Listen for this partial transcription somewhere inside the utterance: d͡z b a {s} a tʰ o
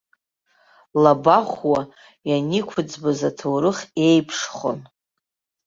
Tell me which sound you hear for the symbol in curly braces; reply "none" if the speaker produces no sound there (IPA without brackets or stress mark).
z